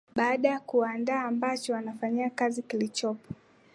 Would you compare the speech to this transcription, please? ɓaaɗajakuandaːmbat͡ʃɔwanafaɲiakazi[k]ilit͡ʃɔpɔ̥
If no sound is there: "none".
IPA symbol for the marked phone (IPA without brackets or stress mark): k